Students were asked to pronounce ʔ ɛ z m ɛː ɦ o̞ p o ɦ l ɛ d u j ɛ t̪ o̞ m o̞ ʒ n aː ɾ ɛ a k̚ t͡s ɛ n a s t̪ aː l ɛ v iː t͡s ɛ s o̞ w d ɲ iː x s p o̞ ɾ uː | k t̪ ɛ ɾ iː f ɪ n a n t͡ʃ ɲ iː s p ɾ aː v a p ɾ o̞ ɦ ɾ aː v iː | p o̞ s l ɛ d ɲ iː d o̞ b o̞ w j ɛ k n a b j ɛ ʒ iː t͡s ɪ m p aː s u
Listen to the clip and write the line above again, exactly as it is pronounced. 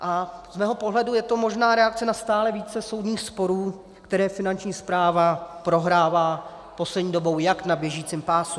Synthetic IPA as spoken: ʔ a z m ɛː ɦ o̞ p o ɦ l ɛ d u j ɛ t̪ o̞ m o̞ ʒ n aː ɾ ɛ a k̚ t͡s ɛ n a s t̪ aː l ɛ v iː t͡s ɛ s o̞ w d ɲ iː x s p o̞ ɾ uː | k t̪ ɛ ɾ ɛː f ɪ n a n t͡ʃ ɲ iː s p ɾ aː v a p ɾ o̞ ɦ ɾ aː v aː | p o̞ s l ɛ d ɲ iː d o̞ b o̞ w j a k n a b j ɛ ʒ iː t͡s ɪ m p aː s u